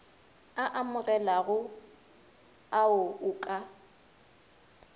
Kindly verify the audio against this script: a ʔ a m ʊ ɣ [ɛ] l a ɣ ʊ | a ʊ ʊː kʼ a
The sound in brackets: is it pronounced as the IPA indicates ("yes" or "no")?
yes